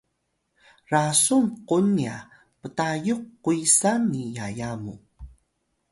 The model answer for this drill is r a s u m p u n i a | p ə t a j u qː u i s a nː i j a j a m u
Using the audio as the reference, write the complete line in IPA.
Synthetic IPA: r a s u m q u n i a | p ə t a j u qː u i s a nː i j a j a m u